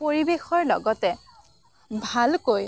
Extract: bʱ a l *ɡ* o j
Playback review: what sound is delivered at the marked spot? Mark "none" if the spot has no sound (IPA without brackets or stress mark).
k